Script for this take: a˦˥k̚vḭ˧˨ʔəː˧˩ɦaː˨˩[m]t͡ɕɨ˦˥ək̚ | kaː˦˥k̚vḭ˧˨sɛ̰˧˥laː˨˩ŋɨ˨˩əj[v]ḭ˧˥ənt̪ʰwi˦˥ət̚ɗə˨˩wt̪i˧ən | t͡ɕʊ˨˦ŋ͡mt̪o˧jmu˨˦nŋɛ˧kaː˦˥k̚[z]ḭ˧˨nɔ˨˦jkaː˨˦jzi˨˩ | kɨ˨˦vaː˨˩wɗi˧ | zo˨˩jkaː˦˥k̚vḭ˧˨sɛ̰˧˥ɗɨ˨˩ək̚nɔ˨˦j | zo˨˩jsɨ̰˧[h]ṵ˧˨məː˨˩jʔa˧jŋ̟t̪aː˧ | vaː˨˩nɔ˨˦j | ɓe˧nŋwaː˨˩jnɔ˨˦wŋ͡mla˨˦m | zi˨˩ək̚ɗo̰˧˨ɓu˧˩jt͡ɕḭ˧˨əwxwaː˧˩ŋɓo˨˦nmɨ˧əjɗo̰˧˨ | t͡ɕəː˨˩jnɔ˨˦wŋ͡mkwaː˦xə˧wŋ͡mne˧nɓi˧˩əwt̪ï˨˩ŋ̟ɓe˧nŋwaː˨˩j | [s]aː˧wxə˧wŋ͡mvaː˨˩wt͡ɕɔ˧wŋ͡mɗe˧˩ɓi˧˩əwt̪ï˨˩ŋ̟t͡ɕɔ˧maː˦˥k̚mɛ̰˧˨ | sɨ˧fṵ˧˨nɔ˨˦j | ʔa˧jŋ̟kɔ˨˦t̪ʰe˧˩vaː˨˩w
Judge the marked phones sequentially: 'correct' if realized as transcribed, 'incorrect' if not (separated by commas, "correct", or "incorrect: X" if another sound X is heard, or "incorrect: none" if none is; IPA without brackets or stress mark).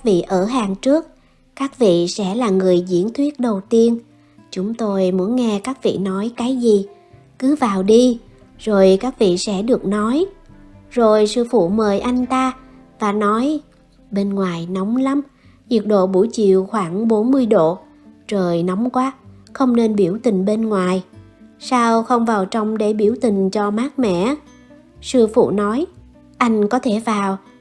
incorrect: ŋ, incorrect: z, incorrect: v, incorrect: f, correct